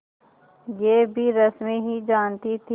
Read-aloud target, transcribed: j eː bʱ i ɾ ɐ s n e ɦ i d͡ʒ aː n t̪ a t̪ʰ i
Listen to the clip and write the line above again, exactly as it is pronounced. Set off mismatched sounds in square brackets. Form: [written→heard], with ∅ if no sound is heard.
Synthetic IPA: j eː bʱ i ɾ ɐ s [n→m] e ɦ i d͡ʒ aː n t̪ [a→i] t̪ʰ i